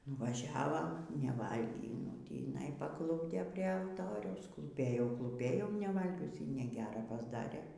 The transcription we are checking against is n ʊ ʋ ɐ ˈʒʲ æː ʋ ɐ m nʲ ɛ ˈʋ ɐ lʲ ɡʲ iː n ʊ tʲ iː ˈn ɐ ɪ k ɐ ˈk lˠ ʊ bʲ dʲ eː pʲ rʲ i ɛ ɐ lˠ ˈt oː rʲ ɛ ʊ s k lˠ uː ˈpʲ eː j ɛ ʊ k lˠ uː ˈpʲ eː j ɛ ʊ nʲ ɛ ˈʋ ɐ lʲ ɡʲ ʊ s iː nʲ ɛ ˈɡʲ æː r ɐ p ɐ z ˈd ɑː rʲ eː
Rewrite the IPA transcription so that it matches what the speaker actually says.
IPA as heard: n ʊ ʋ ɐ ˈʒʲ æː ʋ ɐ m nʲ ɛ ˈʋ ɐ lʲ ɡʲ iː n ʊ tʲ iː ˈn ɐ ɪ p ɐ ˈk lˠ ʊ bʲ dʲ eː pʲ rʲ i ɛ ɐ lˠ ˈt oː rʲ ɛ ʊ s k lˠ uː ˈpʲ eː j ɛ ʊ k lˠ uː ˈpʲ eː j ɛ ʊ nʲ ɛ ˈʋ ɐ lʲ ɡʲ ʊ s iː nʲ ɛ ˈɡʲ æː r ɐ p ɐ z ˈd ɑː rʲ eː